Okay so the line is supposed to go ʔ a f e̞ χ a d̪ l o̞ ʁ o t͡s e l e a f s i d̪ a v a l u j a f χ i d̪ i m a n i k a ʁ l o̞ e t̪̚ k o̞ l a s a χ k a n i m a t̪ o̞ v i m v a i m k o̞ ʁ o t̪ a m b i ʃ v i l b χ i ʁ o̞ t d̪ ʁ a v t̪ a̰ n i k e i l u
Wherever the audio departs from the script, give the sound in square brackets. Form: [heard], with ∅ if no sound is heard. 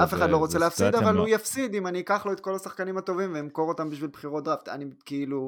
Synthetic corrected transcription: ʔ a f e̞ χ a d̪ l o̞ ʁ o t͡s e l e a f s i d̪ a v a l u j a f [s] i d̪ i m a n i k a [χ] l o̞ e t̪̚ k o̞ l a s a χ k a n i m a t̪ o̞ v i m v [e] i m k o̞ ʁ o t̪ a m b i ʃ v i l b χ i ʁ o̞ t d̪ ʁ a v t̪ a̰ n i k e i l u